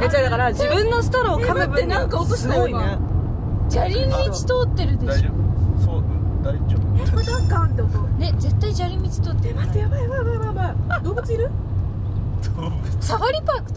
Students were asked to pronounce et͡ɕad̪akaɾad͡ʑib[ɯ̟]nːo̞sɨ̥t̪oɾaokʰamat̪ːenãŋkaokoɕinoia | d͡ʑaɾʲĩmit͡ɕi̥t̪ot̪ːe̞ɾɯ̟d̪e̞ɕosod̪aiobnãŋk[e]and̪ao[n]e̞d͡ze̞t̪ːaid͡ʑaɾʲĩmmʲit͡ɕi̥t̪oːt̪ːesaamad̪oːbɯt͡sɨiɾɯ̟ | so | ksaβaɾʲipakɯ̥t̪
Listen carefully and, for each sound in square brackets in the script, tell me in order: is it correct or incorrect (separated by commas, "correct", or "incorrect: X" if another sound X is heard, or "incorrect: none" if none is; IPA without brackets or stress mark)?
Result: incorrect: ɯ̟̃, incorrect: a, correct